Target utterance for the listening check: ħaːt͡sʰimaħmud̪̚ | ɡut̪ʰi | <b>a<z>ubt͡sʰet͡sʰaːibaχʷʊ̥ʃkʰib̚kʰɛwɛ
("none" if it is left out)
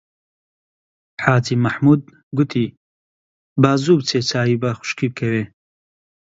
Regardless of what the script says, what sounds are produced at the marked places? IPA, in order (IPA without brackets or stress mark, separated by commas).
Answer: b, z